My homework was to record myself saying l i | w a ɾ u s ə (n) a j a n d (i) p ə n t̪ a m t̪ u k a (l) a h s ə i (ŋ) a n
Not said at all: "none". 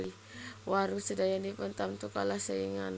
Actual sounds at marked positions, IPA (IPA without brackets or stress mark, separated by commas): d, i, l, ŋ